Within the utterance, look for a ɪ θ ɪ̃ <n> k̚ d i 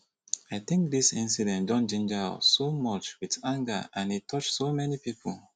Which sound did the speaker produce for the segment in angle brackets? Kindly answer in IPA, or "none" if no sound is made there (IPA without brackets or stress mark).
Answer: ŋ